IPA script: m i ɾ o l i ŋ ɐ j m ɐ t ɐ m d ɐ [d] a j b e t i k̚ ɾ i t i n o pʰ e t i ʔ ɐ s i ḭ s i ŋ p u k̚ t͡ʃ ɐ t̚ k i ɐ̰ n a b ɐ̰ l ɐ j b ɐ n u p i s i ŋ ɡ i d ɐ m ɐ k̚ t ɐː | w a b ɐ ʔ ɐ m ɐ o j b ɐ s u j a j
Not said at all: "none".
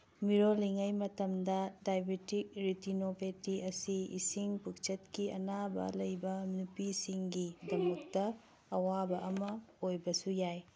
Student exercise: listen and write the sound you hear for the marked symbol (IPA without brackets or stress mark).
d